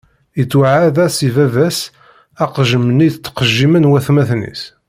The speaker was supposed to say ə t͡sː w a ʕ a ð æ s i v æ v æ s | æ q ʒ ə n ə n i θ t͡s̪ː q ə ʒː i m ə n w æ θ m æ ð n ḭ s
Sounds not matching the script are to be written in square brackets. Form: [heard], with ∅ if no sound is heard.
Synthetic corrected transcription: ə t͡sː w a ʕ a ð æ s i v æ v æ s | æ q ʒ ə [m] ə n i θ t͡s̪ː q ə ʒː i m ə n w æ θ m æ [θ] n ḭ s